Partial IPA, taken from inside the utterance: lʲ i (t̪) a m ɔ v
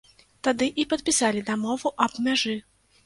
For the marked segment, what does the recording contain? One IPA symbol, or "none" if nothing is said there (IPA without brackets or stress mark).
d̪